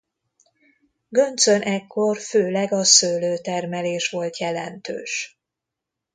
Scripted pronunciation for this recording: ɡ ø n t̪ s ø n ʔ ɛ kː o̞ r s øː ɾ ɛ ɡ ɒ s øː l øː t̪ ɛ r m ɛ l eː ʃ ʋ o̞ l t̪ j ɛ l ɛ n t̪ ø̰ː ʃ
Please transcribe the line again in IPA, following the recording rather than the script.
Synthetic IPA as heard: ɡ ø n t̪ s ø n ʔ ɛ kː o̞ r f øː l ɛ ɡ ɒ s øː l øː t̪ ɛ r m ɛ l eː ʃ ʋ o̞ l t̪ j ɛ l ɛ n t̪ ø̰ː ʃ